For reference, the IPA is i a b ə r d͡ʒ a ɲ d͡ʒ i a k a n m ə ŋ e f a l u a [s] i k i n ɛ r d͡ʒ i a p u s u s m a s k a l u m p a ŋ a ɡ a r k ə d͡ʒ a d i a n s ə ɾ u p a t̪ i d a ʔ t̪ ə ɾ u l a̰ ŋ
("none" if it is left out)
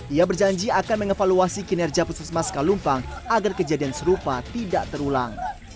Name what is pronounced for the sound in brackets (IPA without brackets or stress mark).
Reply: s